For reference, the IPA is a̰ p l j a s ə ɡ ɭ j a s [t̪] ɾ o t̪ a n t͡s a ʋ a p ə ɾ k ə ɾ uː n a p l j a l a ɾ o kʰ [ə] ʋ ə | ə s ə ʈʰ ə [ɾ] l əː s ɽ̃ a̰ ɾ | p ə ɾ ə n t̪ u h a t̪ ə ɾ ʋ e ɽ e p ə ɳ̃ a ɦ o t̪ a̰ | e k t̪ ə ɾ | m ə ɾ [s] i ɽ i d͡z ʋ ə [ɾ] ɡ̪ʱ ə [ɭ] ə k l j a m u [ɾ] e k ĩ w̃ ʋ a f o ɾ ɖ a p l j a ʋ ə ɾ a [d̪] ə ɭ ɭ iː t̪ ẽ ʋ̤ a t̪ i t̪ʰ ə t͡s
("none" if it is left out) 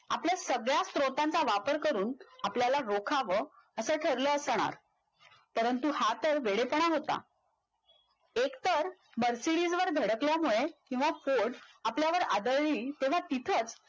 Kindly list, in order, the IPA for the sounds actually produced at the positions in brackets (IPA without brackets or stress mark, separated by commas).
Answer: t̪, a, ɾ, s, ɾ, ɽ, ɭ, d̪